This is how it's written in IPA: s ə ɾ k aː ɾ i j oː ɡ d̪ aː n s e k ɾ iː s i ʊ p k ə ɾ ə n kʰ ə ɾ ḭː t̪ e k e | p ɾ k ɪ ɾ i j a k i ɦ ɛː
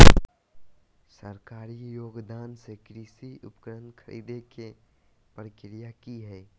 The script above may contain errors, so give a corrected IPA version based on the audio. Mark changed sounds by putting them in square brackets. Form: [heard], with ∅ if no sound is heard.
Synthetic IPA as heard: s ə ɾ k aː ɾ i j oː ɡ d̪ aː n s e k ɾ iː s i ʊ p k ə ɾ ə n kʰ ə ɾ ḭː [d̪] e k e | p ɾ k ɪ ɾ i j a k i ɦ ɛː